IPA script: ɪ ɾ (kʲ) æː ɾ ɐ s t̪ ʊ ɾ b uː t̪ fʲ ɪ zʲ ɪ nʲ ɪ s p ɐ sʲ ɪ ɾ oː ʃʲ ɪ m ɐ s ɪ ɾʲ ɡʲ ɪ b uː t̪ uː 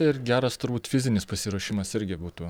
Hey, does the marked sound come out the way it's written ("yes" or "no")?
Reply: no